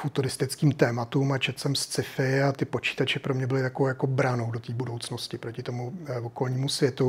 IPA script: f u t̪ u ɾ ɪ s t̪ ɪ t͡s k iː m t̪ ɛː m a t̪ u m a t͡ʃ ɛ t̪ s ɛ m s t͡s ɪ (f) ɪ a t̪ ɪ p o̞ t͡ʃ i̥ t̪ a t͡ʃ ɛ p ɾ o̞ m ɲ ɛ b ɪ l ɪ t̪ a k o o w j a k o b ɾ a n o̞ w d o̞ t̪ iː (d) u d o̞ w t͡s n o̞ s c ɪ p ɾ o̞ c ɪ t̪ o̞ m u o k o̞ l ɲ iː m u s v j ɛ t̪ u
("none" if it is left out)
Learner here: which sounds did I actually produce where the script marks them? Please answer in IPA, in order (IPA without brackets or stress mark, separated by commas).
f, b